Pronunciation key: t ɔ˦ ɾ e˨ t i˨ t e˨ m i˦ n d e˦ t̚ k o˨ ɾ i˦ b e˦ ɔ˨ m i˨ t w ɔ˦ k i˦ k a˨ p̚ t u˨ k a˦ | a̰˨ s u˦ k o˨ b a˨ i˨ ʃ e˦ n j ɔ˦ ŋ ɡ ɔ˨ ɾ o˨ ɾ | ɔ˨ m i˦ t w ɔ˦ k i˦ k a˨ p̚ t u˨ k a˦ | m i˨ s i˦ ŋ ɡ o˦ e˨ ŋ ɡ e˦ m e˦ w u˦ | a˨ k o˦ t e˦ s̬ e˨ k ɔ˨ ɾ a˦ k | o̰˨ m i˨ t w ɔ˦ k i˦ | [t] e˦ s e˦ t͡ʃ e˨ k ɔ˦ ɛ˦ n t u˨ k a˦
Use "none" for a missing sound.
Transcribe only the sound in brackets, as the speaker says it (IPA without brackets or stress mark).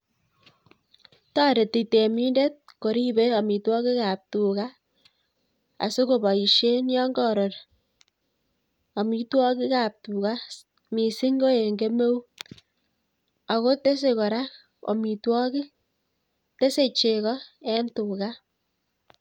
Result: t